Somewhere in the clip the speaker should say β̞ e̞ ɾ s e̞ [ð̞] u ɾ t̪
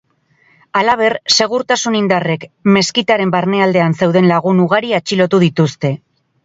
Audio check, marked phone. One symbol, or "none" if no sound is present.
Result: ɣ̞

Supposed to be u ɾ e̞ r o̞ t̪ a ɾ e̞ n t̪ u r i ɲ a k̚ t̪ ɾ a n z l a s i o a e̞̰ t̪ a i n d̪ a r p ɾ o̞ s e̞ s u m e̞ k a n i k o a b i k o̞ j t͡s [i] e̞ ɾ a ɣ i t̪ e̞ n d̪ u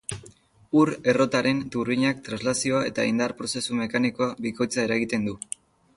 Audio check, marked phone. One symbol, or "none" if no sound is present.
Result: a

